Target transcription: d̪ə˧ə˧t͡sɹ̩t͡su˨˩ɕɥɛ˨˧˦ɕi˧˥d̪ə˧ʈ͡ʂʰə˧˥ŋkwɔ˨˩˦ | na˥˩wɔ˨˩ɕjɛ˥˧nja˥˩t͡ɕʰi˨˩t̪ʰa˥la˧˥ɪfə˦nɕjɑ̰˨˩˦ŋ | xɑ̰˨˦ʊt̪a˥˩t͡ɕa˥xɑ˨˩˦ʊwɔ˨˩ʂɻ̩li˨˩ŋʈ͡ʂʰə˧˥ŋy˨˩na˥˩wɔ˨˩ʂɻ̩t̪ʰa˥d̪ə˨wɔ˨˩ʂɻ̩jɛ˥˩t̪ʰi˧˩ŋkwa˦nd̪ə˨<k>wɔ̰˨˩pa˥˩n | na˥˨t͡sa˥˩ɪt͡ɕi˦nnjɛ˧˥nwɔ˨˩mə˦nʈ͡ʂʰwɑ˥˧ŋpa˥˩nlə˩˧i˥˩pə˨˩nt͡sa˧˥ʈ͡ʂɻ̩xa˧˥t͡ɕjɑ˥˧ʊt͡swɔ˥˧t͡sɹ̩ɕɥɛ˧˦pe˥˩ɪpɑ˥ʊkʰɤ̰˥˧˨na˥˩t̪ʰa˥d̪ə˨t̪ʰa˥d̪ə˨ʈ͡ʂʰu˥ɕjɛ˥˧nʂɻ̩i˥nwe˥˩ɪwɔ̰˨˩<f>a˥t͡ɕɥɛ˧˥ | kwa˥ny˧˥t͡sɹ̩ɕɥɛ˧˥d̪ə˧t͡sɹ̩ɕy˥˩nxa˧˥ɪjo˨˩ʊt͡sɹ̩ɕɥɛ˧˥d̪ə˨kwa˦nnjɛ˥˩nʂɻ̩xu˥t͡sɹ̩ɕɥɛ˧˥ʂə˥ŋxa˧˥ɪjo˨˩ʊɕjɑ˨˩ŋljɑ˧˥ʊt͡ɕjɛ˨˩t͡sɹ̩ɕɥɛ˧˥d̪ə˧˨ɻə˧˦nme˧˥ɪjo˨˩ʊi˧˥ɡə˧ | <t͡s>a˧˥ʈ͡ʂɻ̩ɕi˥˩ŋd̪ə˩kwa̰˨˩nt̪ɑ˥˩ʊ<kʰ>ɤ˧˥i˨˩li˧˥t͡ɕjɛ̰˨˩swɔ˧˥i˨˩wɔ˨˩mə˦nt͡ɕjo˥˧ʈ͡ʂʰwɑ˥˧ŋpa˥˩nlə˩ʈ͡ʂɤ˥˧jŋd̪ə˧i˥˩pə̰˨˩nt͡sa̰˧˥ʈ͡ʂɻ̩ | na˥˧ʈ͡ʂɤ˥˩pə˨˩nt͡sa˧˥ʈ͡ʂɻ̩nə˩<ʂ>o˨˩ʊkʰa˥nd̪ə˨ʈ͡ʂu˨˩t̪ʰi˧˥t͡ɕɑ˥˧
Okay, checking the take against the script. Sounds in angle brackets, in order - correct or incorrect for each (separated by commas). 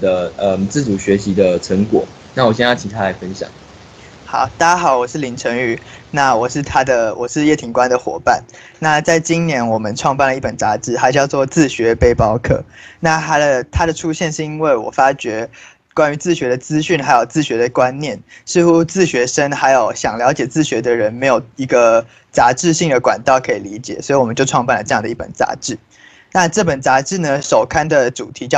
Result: incorrect, correct, correct, correct, correct